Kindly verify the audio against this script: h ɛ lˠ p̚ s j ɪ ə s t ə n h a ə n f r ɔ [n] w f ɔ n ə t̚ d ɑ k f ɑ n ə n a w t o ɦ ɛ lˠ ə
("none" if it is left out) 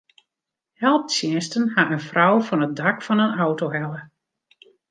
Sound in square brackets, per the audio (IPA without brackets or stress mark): none